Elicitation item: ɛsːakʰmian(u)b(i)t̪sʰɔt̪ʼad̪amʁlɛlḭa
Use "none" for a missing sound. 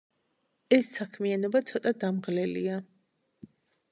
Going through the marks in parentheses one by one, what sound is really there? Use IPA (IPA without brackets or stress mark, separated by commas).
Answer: ɔ, a